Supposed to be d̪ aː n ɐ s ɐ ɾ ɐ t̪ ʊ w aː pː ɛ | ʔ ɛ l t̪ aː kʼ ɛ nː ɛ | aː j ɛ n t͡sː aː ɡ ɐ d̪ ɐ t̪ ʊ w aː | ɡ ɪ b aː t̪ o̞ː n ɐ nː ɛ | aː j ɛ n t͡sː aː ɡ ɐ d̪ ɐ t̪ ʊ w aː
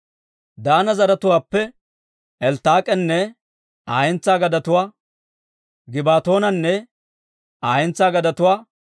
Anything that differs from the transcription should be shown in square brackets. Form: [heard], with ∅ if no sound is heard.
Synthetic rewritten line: d̪ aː n ɐ [z] ɐ ɾ ɐ t̪ ʊ w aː pː ɛ | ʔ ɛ l t̪ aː kʼ ɛ nː ɛ | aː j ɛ n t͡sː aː ɡ ɐ d̪ ɐ t̪ ʊ w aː | ɡ ɪ b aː t̪ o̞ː n ɐ nː ɛ | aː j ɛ n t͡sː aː ɡ ɐ d̪ ɐ t̪ ʊ w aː

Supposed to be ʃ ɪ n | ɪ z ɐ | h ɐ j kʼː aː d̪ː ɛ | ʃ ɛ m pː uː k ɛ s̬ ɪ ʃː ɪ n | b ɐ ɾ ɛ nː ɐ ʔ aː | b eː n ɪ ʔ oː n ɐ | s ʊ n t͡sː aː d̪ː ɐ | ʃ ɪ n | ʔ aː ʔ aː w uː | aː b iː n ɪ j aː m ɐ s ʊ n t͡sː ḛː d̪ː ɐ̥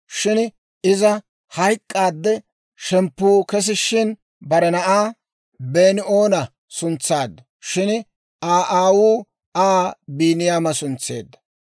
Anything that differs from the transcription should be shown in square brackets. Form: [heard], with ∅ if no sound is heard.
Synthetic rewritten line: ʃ ɪ n | ɪ z ɐ | h ɐ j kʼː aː d̪ː ɛ | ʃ ɛ m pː uː k ɛ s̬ ɪ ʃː ɪ n | b ɐ ɾ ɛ [n] ɐ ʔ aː | b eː n ɪ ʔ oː n ɐ | s ʊ n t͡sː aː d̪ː ɐ | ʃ ɪ n | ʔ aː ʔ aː w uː | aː b iː n ɪ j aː m ɐ s ʊ n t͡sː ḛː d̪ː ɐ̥

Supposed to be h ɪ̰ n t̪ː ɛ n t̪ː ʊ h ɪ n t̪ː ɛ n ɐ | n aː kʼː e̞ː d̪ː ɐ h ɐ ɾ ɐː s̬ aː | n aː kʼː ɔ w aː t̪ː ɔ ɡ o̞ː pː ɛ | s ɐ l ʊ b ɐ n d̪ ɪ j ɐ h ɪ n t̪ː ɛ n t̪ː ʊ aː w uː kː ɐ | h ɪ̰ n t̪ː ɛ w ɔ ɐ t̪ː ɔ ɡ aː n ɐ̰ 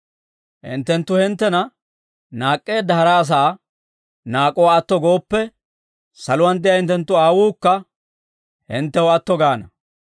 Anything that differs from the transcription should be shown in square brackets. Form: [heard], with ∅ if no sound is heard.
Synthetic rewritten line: h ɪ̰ n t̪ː ɛ n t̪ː ʊ h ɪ n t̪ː ɛ n ɐ | n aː kʼː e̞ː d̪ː ɐ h ɐ ɾ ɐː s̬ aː | n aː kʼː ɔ w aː t̪ː ɔ ɡ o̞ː pː ɛ | s ɐ l ʊ [w] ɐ n d̪ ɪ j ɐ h ɪ n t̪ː ɛ n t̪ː ʊ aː w uː kː ɐ | h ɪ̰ n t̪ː ɛ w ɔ ɐ t̪ː ɔ ɡ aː n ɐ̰

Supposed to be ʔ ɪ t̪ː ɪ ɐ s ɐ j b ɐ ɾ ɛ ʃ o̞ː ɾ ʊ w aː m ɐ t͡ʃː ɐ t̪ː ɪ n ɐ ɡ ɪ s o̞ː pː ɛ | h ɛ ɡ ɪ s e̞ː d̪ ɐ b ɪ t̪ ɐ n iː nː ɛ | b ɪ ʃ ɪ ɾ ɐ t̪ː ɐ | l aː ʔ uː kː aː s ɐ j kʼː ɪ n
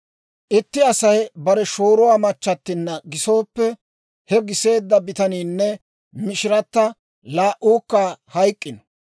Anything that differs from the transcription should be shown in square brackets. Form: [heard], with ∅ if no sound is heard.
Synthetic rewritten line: ʔ ɪ t̪ː ɪ ɐ s ɐ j b ɐ ɾ ɛ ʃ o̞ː ɾ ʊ w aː m ɐ t͡ʃː ɐ t̪ː ɪ [nː] ɐ ɡ ɪ s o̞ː pː ɛ | h ɛ ɡ ɪ s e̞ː [d̪ː] ɐ b ɪ t̪ ɐ n iː nː ɛ | [m] ɪ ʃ ɪ ɾ ɐ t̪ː ɐ | l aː ʔ uː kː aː [h] ɐ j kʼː ɪ n

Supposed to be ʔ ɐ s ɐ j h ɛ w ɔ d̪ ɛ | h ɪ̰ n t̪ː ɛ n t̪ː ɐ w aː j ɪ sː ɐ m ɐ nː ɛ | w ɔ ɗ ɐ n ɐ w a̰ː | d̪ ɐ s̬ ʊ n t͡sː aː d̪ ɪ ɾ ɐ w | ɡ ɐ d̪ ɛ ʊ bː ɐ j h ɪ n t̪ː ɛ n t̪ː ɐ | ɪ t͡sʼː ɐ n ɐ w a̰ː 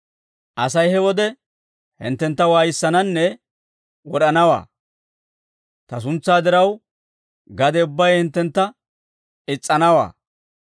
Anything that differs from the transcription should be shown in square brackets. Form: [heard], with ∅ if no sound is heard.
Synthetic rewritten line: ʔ ɐ s ɐ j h ɛ w ɔ d̪ ɛ | h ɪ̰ n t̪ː ɛ n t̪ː ɐ w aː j ɪ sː ɐ [n] ɐ nː ɛ | w ɔ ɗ ɐ n ɐ w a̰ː | [t̪] ɐ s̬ ʊ n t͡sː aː d̪ ɪ ɾ ɐ w | ɡ ɐ d̪ ɛ ʊ bː ɐ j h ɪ n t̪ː ɛ n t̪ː ɐ | ɪ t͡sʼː ɐ n ɐ w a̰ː

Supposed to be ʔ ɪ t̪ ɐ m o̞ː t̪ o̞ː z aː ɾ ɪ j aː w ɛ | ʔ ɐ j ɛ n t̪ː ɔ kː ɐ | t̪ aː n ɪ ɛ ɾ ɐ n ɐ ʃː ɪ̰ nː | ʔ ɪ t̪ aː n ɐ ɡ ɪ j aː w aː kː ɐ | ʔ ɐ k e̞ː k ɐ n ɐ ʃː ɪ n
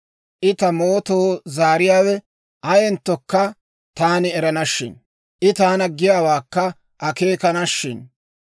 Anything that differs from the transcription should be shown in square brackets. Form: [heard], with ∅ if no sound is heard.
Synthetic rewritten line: ʔ ɪ t̪ ɐ m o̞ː t̪ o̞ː z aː ɾ ɪ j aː w ɛ | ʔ ɐ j ɛ n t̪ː ɔ kː ɐ | t̪ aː n ɪ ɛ ɾ ɐ n ɐ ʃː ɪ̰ [n] | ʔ ɪ t̪ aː n ɐ ɡ ɪ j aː w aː kː ɐ | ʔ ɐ k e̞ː k ɐ n ɐ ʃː ɪ n

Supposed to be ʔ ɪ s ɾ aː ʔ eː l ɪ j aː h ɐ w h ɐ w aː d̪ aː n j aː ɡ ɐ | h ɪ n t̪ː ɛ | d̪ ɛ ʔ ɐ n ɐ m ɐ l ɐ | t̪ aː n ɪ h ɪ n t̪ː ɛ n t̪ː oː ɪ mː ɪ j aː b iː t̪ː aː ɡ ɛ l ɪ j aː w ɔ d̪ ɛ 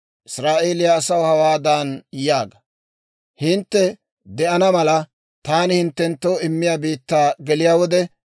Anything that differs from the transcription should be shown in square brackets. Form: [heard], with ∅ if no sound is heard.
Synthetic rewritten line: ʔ ɪ s ɾ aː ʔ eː l ɪ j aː [s] ɐ w h ɐ w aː d̪ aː n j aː ɡ ɐ | h ɪ n t̪ː ɛ | d̪ ɛ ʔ ɐ n ɐ m ɐ l ɐ | t̪ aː n ɪ h ɪ n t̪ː ɛ n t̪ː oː ɪ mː ɪ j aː b iː t̪ː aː ɡ ɛ l ɪ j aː w ɔ d̪ ɛ

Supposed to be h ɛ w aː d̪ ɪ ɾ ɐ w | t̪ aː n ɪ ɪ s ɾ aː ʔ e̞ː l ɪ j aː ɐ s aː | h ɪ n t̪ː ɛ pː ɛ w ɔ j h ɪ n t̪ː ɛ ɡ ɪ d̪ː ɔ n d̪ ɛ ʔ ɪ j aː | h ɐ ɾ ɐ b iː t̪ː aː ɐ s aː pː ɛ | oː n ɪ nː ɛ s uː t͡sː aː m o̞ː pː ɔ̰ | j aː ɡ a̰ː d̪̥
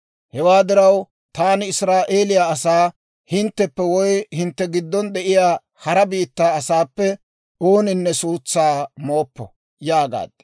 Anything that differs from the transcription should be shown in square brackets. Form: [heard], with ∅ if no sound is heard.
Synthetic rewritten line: h ɛ w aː d̪ ɪ ɾ ɐ w | t̪ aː n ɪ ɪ s ɾ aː ʔ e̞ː l ɪ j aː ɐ s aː | h ɪ n t̪ː ɛ pː ɛ w ɔ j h ɪ n t̪ː ɛ ɡ ɪ d̪ː ɔ n d̪ ɛ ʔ ɪ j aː | h ɐ ɾ ɐ b iː t̪ː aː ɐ s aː pː ɛ | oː n ɪ nː ɛ s uː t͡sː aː m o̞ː pː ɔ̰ | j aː ɡ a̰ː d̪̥

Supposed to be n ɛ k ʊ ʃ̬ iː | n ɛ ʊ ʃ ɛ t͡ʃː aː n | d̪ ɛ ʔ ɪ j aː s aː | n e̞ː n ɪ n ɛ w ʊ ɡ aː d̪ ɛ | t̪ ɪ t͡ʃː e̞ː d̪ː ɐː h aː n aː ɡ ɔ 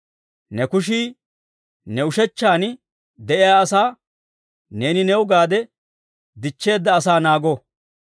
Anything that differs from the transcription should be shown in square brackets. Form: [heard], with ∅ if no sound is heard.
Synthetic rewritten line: n ɛ k ʊ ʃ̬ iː | n ɛ ʊ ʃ ɛ t͡ʃː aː n | d̪ ɛ ʔ ɪ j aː s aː | n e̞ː n ɪ n ɛ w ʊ ɡ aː d̪ ɛ | [d̪] ɪ t͡ʃː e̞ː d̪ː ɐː [s] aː n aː ɡ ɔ

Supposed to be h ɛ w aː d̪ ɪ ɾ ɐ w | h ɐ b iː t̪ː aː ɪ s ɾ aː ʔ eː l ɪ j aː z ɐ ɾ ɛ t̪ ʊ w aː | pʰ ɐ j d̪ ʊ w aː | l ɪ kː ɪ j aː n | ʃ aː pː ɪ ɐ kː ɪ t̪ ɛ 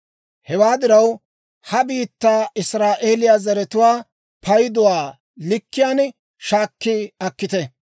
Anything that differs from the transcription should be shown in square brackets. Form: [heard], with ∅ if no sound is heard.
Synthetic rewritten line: h ɛ w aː d̪ ɪ ɾ ɐ w | h ɐ b iː t̪ː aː ɪ s ɾ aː ʔ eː l ɪ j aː z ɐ ɾ ɛ t̪ ʊ w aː | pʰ ɐ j d̪ ʊ w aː | l ɪ kː ɪ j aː n | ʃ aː [kː] ɪ ɐ kː ɪ t̪ ɛ

